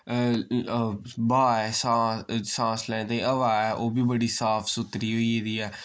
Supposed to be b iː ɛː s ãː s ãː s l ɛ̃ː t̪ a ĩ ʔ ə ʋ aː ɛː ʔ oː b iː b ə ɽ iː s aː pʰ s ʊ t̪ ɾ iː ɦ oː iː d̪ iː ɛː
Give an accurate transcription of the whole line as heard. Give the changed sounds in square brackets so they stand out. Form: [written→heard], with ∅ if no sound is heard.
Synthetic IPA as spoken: b [iː→aː] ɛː s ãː s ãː s l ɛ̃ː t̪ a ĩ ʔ ə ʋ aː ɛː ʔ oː b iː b ə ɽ iː s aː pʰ s ʊ t̪ ɾ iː ɦ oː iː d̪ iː ɛː